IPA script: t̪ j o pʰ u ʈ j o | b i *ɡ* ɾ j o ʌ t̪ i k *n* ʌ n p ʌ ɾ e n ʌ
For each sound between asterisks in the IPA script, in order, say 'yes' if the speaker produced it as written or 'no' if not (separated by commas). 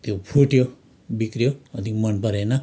no, no